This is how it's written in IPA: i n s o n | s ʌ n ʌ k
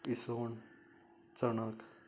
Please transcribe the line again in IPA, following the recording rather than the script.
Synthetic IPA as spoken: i s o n | t͡s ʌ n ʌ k